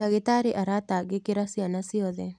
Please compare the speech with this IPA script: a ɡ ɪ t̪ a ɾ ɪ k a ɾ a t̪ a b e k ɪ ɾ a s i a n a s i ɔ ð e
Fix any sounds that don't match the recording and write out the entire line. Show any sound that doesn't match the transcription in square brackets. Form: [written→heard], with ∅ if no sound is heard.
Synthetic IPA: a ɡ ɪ t̪ a ɾ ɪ [k→ʔ] a ɾ a t̪ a [b→ɡ] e k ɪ ɾ a s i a n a s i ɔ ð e